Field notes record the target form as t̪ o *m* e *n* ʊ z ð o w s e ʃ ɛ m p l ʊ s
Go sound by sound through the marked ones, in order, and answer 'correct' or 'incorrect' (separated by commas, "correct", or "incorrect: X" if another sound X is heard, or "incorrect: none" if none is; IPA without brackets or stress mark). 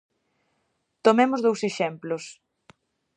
correct, incorrect: m